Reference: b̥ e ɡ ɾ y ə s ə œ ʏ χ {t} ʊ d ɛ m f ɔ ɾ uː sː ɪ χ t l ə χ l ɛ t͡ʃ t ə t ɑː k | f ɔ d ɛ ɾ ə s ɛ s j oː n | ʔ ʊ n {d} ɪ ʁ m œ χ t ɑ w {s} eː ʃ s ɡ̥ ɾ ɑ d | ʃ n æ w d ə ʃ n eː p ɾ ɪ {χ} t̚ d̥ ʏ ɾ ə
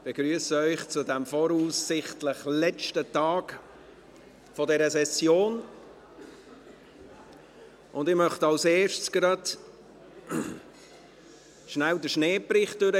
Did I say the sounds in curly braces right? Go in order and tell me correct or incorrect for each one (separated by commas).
incorrect, correct, correct, correct